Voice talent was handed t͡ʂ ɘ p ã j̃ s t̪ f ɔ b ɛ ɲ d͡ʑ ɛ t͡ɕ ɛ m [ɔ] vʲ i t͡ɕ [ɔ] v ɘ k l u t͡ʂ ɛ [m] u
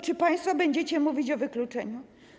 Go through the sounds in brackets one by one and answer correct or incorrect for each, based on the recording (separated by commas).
incorrect, correct, incorrect